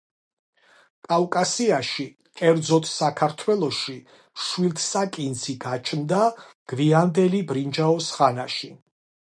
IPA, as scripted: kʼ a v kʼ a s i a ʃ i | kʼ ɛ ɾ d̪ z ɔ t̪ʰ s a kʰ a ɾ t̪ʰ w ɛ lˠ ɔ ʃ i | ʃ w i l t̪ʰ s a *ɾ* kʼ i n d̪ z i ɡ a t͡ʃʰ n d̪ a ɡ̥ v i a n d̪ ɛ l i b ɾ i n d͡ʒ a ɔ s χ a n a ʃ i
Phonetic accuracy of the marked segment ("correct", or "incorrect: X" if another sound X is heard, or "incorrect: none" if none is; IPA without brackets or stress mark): incorrect: none